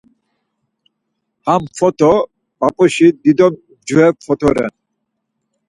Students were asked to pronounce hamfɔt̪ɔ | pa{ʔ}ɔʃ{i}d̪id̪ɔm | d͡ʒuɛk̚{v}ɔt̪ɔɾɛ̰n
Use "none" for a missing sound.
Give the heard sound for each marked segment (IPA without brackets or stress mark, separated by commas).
p, i, f